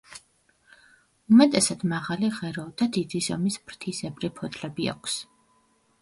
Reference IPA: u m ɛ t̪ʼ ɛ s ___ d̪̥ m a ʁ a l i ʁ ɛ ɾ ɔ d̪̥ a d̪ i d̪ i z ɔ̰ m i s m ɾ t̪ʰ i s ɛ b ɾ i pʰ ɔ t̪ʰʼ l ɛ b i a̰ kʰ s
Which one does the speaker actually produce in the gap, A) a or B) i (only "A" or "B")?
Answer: A